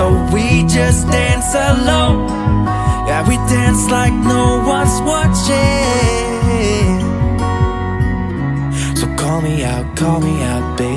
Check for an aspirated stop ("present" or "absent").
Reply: present